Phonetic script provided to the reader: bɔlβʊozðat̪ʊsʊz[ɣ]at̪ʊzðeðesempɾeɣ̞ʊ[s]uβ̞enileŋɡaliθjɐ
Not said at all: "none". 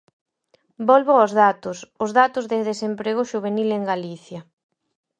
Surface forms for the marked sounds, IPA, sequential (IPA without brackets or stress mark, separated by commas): ð, ʃ